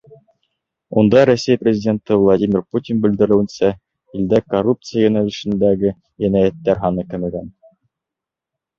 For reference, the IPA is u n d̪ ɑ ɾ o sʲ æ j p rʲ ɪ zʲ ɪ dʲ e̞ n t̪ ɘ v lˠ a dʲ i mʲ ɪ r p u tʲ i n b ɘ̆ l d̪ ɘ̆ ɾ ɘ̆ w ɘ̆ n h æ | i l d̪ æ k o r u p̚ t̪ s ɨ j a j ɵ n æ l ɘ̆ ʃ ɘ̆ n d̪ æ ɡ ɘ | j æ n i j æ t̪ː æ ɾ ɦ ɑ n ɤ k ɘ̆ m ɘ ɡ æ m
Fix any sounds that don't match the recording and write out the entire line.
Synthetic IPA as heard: u n d̪ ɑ ɾ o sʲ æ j p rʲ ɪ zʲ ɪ dʲ e̞ n t̪ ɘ v lˠ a dʲ i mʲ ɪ r p u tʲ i n b ɘ̆ l d̪ ɘ̆ ɾ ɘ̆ w ɘ̆ n s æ | i l d̪ æ k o r u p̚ t̪ s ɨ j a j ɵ n æ l ɘ̆ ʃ ɘ̆ n d̪ æ ɡ ɘ | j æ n æ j æ t̪ː æ ɾ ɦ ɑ n ɤ k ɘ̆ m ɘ ɡ æ n